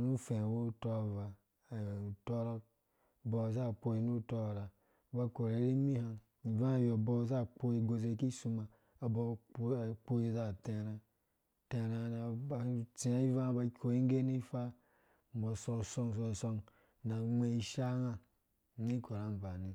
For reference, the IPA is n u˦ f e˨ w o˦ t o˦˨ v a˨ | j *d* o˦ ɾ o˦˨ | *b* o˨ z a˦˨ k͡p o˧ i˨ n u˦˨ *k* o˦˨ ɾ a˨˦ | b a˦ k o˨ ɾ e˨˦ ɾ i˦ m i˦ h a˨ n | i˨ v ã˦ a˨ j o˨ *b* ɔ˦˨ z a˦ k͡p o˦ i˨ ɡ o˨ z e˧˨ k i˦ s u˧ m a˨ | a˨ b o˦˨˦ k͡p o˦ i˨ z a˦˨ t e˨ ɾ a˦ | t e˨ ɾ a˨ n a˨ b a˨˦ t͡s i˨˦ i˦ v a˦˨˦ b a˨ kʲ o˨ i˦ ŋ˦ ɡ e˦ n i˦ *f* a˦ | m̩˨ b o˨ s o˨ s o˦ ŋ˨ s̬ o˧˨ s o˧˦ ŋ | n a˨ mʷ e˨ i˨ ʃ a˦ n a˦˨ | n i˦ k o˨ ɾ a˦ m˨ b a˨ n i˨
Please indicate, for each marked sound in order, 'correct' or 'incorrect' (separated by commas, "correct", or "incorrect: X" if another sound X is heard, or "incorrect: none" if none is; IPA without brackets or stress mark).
incorrect: t, correct, incorrect: t, correct, correct